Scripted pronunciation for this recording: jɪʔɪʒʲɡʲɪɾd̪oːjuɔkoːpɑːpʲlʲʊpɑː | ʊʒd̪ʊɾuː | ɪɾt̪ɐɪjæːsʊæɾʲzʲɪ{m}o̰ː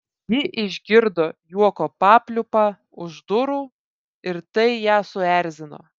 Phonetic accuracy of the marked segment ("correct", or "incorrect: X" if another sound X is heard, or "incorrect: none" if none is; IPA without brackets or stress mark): incorrect: n